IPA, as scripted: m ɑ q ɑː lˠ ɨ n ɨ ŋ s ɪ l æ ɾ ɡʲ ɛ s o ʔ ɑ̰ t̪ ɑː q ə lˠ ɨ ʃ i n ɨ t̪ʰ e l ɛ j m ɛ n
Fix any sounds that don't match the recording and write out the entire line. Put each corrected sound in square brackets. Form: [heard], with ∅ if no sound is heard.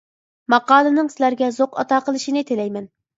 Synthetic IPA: m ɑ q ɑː lˠ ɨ n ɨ ŋ s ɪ l æ ɾ ɡʲ ɛ [z] o [q] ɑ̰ t̪ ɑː q ə lˠ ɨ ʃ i n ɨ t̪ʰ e l ɛ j m ɛ n